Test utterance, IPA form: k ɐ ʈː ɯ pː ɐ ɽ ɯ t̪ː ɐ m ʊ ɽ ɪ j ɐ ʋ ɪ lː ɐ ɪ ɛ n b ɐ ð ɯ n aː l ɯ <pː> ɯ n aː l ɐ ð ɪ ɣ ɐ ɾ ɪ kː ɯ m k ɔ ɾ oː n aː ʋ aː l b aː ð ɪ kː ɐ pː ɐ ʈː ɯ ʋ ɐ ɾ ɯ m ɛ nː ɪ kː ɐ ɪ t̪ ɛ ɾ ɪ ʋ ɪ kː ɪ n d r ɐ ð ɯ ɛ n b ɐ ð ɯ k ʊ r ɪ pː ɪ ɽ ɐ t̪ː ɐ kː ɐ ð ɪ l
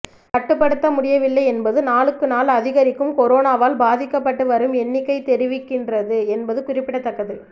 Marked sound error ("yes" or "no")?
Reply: yes